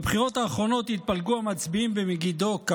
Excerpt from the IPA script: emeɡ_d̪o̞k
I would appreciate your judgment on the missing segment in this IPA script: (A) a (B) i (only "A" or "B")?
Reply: B